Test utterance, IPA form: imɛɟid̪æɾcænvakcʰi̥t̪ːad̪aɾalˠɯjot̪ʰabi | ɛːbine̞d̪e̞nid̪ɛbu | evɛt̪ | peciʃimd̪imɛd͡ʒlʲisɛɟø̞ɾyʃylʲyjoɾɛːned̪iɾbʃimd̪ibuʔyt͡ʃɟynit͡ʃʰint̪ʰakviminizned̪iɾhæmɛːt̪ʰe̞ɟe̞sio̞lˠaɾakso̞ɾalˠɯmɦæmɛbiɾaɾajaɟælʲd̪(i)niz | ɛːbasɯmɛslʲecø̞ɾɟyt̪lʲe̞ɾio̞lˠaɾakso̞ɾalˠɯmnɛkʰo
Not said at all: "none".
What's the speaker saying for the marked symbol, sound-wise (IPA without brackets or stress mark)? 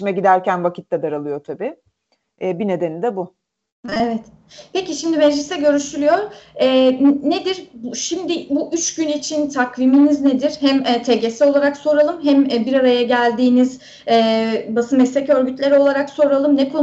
iː